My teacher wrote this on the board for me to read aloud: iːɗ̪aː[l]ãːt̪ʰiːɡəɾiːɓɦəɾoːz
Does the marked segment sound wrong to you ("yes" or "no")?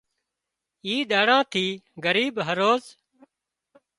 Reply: yes